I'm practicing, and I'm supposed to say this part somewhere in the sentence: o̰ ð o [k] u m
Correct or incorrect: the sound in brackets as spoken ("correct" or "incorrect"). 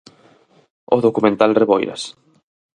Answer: correct